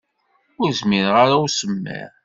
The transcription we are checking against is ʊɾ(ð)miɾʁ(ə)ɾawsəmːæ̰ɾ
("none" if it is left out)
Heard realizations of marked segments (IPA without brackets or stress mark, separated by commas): z, a